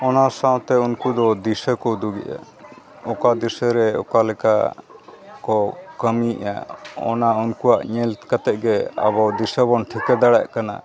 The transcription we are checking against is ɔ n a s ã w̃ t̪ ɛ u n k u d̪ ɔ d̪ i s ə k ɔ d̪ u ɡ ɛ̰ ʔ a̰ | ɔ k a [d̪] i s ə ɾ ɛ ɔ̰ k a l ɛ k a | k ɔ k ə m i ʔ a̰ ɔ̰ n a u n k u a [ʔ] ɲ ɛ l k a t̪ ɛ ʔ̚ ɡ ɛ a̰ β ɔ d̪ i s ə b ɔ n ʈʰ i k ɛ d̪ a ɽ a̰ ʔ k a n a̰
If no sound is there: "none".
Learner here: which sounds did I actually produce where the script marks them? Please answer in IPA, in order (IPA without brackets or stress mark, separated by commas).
d̪, ʔ